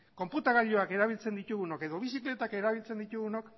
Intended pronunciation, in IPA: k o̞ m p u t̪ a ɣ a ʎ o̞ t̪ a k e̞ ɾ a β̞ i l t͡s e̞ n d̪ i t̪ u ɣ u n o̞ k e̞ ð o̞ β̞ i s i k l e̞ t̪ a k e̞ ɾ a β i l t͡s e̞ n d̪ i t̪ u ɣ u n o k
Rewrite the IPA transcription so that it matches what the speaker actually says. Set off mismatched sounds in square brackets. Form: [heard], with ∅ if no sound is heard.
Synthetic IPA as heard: k o̞ m p u t̪ a ɣ a ʎ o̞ [∅] a k e̞ ɾ a β̞ i l t͡s e̞ n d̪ i t̪ u ɣ u n o̞ k e̞ ð o̞ β̞ i s i k l e̞ t̪ a k e̞ ɾ a β i l t͡s e̞ n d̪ i t̪ u ɣ u n o k